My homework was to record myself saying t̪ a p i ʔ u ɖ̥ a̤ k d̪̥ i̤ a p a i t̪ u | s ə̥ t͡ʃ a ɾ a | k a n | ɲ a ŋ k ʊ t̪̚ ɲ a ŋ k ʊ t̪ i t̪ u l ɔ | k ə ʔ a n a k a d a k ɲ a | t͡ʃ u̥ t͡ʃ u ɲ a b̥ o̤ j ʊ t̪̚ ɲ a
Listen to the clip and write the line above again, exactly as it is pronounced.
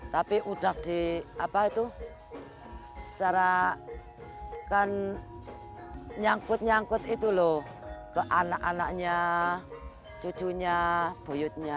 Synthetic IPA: t̪ a p i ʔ u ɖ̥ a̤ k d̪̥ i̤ a p a i t̪ u | s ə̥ t͡ʃ a ɾ a | k a n | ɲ a ŋ k ʊ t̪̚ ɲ a ŋ k ʊ t̪ i t̪ u l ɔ | k ə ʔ a n a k a n a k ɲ a | t͡ʃ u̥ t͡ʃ u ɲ a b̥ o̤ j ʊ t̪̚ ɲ a